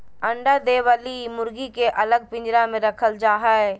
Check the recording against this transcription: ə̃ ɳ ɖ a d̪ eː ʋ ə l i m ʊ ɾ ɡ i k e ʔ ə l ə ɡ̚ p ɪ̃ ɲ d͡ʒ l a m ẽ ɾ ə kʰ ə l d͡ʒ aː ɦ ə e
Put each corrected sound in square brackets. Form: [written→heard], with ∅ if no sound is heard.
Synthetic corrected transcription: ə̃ ɳ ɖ a d̪ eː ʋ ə l i m ʊ ɾ ɡ i k e ʔ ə l ə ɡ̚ p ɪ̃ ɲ d͡ʒ [l→ɾ] a m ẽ ɾ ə kʰ ə l d͡ʒ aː ɦ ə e